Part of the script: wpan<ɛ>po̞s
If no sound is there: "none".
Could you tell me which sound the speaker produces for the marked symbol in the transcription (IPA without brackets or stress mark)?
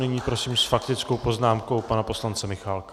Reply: a